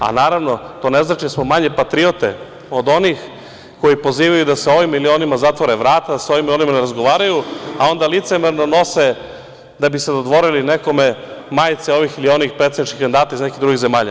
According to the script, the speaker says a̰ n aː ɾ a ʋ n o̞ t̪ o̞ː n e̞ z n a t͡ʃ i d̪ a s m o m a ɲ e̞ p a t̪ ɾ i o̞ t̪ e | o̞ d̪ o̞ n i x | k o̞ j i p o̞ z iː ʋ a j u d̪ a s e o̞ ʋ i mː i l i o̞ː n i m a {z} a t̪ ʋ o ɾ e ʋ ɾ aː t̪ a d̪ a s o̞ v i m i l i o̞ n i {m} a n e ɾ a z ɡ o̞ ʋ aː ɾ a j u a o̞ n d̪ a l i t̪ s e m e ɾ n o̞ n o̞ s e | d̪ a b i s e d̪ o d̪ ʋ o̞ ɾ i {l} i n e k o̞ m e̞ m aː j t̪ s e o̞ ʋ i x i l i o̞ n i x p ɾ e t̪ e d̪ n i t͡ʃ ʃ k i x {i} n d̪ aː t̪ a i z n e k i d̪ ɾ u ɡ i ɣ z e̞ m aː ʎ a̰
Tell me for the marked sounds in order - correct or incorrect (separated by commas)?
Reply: correct, correct, correct, incorrect